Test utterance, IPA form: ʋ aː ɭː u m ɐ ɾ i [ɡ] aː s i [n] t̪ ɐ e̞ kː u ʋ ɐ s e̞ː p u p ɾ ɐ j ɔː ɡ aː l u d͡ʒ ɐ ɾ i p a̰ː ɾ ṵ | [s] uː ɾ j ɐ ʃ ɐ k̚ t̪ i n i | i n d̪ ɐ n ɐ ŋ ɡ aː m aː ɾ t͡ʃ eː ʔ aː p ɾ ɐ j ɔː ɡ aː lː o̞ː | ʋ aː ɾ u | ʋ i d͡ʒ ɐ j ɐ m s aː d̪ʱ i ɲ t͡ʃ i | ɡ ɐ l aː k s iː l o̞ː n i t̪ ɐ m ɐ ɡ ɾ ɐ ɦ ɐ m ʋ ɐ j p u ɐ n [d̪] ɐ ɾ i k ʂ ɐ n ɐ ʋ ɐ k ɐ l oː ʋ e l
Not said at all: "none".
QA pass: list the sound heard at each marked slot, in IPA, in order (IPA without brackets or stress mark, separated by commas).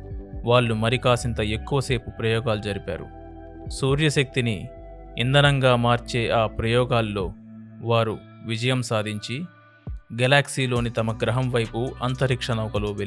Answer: k, n, s, t̪